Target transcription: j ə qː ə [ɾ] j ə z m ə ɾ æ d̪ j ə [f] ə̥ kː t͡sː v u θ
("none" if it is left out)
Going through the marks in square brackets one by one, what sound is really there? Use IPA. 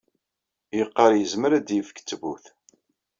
ɾ, f

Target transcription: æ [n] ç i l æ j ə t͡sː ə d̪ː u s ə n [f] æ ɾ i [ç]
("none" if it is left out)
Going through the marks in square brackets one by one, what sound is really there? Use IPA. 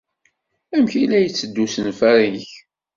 m, f, ç

